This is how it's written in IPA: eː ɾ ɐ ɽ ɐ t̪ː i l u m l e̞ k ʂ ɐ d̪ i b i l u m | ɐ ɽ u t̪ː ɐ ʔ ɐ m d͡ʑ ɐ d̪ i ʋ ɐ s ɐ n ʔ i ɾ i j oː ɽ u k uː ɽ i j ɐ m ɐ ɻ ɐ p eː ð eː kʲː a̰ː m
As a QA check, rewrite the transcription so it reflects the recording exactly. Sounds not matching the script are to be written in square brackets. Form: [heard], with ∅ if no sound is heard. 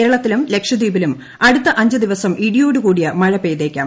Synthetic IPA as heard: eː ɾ ɐ [ɭ] ɐ t̪ː i l u m l e̞ k ʂ ɐ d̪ [iː] b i l u m | ɐ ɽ u t̪ː ɐ ʔ ɐ [ɲ] d͡ʑ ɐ d̪ i ʋ ɐ s ɐ [m] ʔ i [ɽ] i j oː ɽ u k uː ɽ i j ɐ m ɐ ɻ ɐ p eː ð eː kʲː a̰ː m